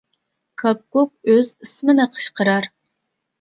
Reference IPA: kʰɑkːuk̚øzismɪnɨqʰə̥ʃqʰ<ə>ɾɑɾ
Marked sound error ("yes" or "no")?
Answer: no